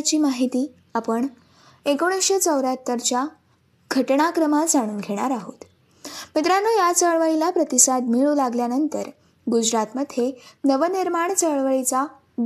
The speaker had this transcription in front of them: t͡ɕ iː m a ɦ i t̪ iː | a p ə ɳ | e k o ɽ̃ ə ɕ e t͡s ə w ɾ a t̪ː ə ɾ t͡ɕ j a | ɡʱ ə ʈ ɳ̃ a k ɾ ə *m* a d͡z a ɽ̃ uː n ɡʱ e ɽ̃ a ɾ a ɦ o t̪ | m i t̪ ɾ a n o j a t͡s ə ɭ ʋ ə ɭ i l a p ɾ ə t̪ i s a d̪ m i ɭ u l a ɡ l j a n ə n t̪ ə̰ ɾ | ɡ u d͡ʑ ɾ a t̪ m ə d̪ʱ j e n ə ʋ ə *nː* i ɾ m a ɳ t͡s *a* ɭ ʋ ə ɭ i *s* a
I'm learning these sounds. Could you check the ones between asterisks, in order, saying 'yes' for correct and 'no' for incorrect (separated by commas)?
yes, no, no, no